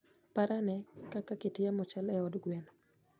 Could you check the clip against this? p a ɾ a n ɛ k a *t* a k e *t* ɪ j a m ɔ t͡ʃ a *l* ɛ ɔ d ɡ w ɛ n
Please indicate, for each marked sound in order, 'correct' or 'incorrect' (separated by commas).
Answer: incorrect, correct, correct